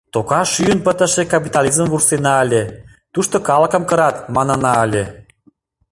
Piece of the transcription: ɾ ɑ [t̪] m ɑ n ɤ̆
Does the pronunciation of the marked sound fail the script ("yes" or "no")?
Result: no